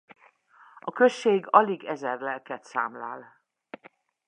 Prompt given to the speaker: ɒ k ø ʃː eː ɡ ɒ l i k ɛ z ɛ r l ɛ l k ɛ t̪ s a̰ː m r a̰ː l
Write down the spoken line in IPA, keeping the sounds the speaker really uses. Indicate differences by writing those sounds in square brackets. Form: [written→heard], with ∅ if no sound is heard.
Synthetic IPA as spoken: ɒ k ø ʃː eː ɡ ɒ l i [k→ɡ] ɛ z ɛ r l ɛ l k ɛ t̪ s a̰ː m [r→l] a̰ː l